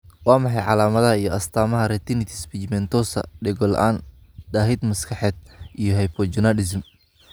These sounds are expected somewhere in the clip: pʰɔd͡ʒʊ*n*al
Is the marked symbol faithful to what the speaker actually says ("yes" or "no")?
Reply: yes